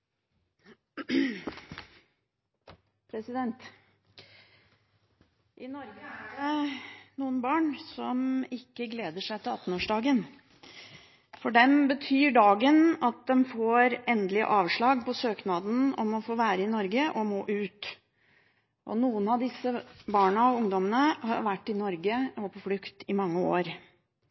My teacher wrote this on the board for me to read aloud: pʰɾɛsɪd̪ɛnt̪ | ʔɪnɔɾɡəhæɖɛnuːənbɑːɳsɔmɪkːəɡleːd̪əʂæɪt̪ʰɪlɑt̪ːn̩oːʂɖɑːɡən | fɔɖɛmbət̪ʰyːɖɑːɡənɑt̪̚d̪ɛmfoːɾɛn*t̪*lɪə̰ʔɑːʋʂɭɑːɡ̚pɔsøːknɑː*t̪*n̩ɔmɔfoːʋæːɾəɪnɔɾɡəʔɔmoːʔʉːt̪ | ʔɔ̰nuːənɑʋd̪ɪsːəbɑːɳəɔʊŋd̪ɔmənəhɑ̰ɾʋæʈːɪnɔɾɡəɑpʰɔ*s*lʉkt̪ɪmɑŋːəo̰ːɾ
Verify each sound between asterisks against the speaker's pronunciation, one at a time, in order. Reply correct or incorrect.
incorrect: d̪, incorrect: d̪, incorrect: f

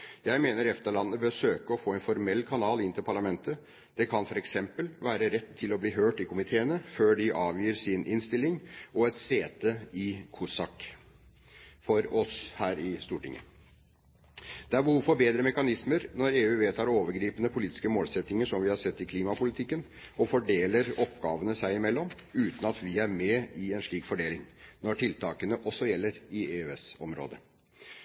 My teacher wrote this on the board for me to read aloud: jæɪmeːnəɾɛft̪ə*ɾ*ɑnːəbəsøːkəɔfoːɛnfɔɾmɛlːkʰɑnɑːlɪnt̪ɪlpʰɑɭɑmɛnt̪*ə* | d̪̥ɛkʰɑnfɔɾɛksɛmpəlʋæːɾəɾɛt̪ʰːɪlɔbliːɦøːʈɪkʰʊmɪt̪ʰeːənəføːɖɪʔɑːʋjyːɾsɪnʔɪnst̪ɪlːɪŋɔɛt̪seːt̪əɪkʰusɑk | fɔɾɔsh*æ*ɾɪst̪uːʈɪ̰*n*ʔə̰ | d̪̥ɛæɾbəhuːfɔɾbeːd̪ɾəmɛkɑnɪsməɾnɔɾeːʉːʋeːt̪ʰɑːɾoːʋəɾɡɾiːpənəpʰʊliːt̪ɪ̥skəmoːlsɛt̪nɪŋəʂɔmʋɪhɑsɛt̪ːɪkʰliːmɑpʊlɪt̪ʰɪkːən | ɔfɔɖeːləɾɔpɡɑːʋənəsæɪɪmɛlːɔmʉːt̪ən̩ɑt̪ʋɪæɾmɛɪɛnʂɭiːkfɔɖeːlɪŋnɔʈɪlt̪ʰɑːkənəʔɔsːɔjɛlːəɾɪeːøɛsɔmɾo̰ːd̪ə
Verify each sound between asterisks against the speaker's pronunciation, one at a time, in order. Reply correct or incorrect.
incorrect: ɭ, correct, incorrect: æː, incorrect: ŋ

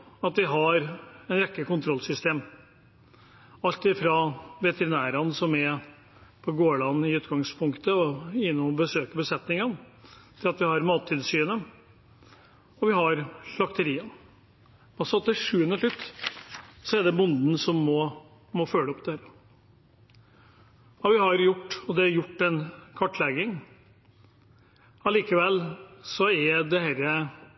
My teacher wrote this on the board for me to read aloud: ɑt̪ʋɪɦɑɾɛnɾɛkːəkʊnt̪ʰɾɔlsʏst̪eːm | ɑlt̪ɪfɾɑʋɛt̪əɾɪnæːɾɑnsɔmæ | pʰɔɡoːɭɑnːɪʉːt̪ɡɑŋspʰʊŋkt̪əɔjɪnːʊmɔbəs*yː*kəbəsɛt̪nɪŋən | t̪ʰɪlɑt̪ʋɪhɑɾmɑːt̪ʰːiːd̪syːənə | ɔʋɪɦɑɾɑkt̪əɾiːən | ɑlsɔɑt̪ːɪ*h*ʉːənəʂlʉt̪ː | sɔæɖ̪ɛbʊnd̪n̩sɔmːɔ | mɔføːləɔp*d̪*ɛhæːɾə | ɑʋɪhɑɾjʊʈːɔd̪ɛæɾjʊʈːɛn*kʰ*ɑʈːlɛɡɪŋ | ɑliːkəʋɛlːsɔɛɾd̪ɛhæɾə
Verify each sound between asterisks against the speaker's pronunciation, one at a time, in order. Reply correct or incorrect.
incorrect: øː, incorrect: ʂ, correct, correct

